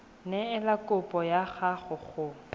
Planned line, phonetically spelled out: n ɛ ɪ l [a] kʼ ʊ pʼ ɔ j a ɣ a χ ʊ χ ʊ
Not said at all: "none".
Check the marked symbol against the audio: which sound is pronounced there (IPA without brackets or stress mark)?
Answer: a